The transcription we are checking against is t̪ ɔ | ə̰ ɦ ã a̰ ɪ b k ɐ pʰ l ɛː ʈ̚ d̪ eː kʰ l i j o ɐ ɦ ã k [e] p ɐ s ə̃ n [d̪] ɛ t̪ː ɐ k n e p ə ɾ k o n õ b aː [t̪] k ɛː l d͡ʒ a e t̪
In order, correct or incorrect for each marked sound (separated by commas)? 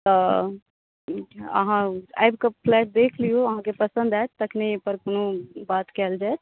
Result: correct, correct, correct